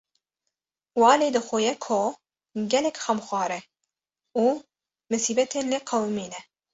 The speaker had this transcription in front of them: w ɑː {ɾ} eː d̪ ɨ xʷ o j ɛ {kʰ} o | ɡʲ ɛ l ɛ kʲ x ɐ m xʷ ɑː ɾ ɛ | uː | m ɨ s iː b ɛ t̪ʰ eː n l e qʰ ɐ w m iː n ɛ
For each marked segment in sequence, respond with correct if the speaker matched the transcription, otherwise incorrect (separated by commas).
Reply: incorrect, correct